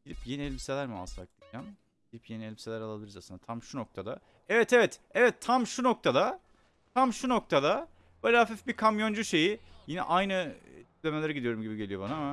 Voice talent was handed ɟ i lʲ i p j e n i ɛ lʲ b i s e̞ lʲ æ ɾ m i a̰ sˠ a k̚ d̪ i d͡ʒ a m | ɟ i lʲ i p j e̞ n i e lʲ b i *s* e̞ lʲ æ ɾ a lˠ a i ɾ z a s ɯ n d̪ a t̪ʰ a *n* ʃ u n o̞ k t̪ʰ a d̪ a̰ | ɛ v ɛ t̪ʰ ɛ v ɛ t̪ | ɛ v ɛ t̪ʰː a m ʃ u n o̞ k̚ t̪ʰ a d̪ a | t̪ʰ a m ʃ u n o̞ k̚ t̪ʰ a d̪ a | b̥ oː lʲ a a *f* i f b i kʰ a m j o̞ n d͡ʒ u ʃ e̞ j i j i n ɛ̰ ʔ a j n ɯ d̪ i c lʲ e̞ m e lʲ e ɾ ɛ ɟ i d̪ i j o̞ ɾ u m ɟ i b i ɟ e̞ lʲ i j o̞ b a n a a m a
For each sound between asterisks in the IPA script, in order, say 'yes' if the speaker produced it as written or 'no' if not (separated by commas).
yes, no, yes